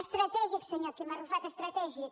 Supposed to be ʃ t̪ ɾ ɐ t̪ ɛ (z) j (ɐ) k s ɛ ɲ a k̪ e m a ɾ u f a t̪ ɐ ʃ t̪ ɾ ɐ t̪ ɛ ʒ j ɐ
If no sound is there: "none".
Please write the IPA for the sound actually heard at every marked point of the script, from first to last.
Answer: ʒ, ɐ

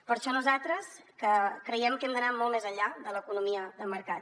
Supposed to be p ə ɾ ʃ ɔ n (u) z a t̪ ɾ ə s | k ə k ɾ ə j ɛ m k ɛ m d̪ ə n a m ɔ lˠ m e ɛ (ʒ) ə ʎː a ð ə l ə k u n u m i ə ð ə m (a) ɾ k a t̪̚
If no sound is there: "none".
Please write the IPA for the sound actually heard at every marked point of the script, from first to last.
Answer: u, z, ə

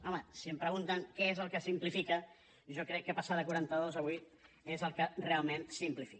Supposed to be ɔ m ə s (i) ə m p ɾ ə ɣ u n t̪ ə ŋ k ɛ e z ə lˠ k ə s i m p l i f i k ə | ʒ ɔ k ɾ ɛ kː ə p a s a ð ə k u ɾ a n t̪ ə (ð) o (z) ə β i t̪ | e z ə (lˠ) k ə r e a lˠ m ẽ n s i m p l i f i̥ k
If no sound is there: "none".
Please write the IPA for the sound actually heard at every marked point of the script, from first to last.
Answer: i, ð, z, lˠ

